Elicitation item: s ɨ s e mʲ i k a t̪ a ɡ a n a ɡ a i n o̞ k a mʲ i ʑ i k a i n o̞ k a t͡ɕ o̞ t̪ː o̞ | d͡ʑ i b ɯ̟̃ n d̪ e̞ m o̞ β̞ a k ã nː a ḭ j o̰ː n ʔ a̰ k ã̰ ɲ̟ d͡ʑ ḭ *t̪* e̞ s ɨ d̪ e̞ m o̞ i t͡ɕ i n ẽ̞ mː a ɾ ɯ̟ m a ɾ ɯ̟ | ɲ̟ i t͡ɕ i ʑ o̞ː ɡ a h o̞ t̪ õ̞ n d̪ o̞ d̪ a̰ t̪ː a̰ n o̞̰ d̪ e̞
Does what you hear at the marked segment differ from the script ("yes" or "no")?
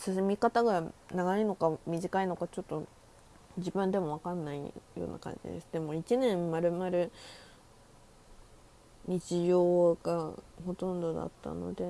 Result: yes